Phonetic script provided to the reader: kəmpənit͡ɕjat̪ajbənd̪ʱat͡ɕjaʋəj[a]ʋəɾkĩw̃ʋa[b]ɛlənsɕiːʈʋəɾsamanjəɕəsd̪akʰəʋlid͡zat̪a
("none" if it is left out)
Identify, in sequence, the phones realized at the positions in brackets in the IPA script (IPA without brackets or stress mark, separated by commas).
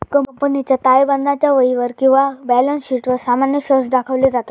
i, b